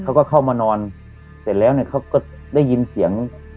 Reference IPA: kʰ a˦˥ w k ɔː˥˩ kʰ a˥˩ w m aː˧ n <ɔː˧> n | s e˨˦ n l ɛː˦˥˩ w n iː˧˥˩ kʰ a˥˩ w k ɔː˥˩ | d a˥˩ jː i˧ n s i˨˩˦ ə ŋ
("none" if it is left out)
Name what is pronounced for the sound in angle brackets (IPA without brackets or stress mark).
ɔː˧